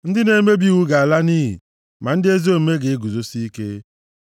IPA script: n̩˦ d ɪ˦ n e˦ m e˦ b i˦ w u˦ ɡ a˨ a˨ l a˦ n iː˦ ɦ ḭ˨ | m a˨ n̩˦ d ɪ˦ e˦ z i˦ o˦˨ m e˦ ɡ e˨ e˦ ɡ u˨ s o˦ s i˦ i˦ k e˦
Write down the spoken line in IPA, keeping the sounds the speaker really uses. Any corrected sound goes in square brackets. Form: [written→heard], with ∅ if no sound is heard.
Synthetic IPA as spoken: n̩˦ d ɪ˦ n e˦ m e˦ b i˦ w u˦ ɡ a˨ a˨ l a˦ n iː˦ ɦ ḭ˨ | m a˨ n̩˦ d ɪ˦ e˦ z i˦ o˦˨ m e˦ ɡ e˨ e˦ ɡ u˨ [s→z] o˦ s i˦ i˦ k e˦